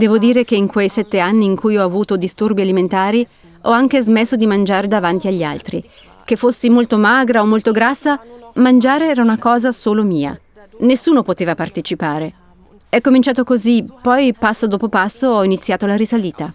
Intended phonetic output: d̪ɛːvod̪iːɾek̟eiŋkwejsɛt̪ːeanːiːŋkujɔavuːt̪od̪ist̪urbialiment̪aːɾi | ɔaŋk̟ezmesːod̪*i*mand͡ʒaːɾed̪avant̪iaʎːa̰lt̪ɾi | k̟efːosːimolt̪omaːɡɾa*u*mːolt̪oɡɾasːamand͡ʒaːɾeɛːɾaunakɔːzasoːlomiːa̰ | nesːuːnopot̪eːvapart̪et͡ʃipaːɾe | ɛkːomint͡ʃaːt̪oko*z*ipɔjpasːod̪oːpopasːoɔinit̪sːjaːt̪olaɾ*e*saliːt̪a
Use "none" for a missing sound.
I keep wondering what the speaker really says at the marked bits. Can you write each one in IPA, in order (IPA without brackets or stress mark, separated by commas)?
i, o, z, i